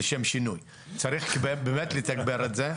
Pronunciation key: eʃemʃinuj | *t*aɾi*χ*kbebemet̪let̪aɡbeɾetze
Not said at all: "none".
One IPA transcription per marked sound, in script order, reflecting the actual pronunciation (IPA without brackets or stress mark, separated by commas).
t͡s, χ